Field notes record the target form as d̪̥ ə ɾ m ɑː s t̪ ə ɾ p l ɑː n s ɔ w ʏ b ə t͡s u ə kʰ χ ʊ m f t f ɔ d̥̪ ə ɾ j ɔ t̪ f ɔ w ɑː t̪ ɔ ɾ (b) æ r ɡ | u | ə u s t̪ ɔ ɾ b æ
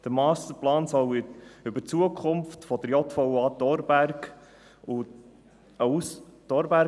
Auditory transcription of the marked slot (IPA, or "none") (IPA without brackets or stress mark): b